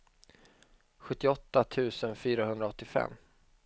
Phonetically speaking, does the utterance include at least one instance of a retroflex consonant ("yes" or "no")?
no